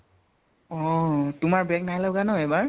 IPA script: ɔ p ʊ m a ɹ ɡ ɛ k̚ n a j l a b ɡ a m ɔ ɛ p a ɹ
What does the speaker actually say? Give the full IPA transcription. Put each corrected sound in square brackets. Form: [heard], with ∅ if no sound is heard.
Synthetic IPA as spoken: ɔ [t] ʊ m a ɹ [b] ɛ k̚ n a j l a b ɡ a [n] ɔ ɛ [b] a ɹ